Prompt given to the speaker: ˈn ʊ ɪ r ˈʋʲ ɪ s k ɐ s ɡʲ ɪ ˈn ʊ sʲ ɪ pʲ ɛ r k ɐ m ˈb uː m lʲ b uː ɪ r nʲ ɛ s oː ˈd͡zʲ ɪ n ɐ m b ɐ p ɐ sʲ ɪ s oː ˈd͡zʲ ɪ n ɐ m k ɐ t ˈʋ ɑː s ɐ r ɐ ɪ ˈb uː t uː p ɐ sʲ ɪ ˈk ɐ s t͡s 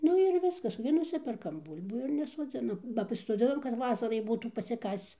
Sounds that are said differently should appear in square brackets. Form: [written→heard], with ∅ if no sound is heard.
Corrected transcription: ˈn ʊ ɪ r ˈʋʲ ɪ s k ɐ s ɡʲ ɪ ˈn ʊ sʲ ɪ pʲ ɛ r k ɐ m ˈb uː [m→∅] lʲ b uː ɪ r nʲ ɛ s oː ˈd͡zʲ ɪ n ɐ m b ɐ p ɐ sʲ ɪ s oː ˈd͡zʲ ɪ n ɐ m k ɐ t ˈʋ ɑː s ɐ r ɐ ɪ ˈb uː t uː p ɐ sʲ ɪ ˈk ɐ s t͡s